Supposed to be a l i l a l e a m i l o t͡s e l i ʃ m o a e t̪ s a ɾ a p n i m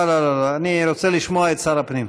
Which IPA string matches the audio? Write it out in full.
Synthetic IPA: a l a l a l a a n i ɾ o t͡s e l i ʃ m o a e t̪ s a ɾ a p n i m